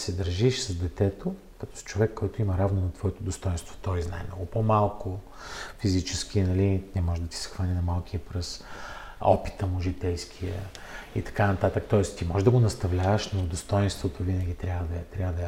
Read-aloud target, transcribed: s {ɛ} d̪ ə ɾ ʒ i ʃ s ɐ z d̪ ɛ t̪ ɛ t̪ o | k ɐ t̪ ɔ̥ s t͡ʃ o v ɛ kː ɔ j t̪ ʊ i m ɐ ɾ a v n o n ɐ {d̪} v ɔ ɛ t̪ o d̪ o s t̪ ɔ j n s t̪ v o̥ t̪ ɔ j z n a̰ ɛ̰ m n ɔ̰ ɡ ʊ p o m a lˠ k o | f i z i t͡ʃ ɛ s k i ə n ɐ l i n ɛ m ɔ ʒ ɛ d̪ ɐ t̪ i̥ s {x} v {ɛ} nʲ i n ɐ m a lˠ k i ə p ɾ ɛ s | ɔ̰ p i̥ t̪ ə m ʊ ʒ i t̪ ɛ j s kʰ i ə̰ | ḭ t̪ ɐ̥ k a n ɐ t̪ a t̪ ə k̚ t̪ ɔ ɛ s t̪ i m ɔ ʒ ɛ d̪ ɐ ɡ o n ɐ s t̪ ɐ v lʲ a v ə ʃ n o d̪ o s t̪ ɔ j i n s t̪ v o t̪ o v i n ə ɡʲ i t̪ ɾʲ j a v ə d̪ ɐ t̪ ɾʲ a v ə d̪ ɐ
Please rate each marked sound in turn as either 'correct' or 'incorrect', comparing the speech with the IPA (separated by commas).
correct, incorrect, correct, incorrect